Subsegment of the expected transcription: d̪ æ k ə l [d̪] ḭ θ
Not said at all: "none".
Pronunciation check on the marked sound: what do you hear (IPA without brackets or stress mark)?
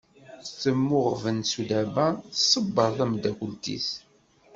t̪